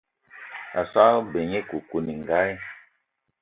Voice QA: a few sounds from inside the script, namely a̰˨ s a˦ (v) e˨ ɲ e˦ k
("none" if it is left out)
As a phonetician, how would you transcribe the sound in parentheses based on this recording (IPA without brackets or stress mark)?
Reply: b